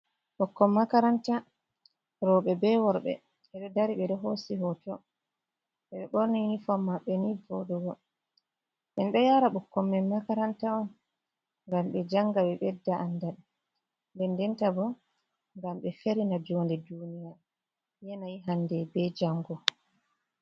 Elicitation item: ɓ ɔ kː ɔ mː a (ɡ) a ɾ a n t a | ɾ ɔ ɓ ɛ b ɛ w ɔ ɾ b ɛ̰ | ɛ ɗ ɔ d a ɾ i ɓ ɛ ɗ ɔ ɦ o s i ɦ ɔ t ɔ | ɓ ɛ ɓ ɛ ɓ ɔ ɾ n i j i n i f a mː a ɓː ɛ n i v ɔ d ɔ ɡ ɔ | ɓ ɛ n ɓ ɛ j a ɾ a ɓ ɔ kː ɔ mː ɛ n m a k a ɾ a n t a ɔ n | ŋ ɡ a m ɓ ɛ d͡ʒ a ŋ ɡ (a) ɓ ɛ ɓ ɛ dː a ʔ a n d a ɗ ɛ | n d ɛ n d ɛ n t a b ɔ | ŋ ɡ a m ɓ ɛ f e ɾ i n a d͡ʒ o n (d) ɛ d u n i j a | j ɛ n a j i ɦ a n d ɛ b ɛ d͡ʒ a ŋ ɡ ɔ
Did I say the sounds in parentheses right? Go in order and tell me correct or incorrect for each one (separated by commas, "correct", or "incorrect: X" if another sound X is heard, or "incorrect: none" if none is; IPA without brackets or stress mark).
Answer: incorrect: k, correct, correct